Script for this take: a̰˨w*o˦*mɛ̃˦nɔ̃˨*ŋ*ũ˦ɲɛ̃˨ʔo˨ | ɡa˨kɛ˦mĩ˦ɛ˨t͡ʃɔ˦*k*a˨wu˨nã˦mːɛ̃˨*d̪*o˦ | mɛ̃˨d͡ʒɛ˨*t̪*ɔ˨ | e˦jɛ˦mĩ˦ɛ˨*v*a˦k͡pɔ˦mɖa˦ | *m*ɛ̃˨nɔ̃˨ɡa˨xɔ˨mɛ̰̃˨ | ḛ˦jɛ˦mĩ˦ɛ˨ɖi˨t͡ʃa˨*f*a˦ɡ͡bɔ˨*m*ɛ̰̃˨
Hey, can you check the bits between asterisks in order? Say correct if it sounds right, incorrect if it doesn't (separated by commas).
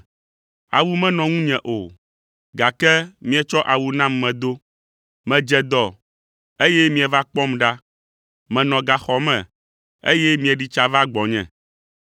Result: incorrect, correct, incorrect, correct, incorrect, correct, correct, incorrect, incorrect